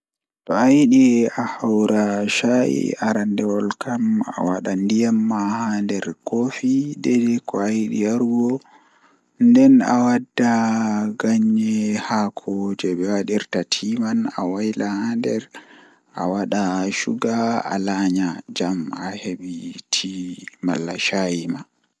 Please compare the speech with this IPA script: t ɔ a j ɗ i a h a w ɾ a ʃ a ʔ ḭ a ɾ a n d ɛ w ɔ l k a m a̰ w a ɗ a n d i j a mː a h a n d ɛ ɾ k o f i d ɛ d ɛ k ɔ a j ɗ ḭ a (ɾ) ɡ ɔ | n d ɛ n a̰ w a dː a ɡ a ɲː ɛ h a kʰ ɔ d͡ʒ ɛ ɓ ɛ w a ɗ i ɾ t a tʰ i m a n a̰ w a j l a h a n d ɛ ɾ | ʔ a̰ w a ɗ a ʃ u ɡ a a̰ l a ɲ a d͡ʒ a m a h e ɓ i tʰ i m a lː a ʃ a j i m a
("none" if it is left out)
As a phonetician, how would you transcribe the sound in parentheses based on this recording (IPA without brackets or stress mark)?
ɾ